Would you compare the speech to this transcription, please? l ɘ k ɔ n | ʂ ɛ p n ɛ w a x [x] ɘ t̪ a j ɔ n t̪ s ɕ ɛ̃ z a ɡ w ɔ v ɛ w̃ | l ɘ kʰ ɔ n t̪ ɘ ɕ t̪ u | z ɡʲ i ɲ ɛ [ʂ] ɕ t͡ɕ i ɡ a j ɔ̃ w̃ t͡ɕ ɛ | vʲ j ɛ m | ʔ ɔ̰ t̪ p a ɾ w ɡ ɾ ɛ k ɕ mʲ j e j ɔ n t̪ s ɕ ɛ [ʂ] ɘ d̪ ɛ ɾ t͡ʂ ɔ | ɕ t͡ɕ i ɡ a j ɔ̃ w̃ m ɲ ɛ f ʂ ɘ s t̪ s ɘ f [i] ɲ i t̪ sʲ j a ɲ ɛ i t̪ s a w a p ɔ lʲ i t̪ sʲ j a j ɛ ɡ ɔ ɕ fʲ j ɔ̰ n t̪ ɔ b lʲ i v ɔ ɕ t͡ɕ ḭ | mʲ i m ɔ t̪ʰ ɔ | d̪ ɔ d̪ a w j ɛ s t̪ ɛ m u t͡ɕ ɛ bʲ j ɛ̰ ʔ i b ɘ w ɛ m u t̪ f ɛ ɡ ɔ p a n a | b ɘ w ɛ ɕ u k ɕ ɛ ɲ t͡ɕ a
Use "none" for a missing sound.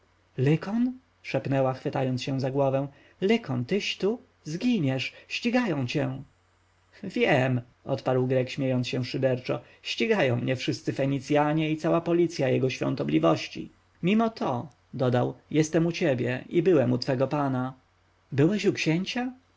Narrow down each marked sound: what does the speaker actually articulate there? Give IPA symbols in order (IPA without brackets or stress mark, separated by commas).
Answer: f, ʂ, ʂ, ɛ